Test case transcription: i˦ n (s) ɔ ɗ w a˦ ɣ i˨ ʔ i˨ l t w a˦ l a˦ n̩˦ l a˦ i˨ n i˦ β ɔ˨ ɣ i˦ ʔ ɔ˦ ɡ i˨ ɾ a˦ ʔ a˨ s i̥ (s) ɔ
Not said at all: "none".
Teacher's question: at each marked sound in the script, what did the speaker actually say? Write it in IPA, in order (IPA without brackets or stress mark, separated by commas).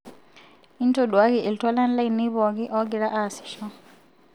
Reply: t, ʃ